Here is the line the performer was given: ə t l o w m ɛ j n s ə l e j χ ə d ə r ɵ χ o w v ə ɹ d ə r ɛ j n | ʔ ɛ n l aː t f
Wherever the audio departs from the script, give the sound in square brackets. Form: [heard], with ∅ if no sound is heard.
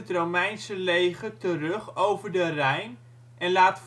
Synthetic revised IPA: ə t [r] o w m ɛ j n s ə l e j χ ə [t] ə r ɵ χ o w v ə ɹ d ə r ɛ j n | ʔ ɛ n l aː t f